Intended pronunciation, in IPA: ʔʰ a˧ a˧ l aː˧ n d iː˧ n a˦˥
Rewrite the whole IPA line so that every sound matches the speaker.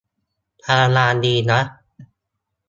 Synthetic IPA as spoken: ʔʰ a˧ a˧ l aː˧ n d iː˧ n a˦˥